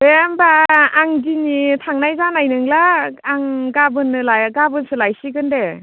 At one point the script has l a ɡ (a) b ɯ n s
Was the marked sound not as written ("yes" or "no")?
no